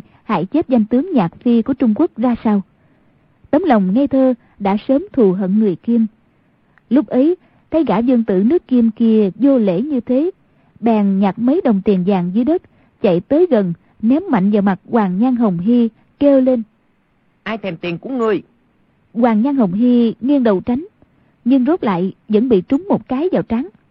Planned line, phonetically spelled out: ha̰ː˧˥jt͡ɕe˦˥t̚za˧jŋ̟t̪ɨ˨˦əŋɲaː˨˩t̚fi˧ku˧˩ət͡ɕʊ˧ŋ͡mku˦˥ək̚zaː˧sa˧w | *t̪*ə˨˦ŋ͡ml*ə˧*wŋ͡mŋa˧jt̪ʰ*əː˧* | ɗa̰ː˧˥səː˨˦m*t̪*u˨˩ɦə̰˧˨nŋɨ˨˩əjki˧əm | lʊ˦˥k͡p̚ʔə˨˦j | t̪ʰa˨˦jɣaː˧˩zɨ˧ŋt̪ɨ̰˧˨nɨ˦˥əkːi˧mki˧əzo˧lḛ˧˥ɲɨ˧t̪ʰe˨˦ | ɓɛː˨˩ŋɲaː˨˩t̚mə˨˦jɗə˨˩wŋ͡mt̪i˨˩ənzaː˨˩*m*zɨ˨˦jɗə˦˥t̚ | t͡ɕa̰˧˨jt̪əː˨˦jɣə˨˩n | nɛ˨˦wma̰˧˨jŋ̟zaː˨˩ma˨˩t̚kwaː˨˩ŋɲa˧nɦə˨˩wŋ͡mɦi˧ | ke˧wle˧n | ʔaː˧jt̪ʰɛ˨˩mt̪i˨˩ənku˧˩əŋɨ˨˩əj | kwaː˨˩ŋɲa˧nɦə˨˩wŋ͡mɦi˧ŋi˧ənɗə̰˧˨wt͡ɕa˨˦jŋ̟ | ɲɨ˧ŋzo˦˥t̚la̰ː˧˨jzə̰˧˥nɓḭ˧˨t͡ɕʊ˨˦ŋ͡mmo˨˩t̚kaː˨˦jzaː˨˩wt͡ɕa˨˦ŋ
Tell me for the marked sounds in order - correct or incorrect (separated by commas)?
correct, incorrect, correct, incorrect, incorrect